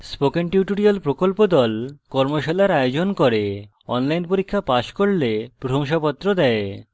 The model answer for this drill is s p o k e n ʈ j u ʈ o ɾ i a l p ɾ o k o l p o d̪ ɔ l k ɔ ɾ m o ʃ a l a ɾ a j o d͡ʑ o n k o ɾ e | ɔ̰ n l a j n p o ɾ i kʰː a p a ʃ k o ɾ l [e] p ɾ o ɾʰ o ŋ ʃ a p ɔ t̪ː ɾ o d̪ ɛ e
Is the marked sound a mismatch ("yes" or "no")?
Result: no